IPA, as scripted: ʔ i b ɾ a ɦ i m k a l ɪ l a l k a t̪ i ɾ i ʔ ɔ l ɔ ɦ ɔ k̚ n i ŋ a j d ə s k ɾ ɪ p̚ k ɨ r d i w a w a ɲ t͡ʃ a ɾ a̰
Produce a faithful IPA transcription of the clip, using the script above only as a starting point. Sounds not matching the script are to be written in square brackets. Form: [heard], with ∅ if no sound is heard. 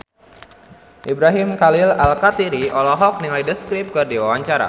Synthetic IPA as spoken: ʔ i b ɾ a ɦ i m k a l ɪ l a l k a t̪ i ɾ i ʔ ɔ l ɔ ɦ ɔ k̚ n i ŋ a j d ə s k ɾ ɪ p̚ k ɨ r d i w a w a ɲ t͡ʃ a ɾ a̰